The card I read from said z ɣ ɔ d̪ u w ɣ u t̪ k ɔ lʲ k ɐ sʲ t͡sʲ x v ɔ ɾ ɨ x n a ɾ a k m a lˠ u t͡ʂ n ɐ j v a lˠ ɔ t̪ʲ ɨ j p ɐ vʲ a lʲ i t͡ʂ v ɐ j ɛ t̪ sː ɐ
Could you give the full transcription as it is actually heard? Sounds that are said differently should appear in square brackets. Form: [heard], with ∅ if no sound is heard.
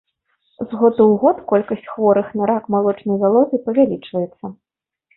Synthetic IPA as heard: z ɣ ɔ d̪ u w ɣ [ɔ] t̪ k ɔ lʲ k ɐ sʲ t͡sʲ x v ɔ ɾ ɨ x n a ɾ a k m a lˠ [ɔ] t͡ʂ n ɐ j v a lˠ ɔ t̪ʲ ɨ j p ɐ vʲ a lʲ i t͡ʂ v ɐ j ɛ t̪ sː ɐ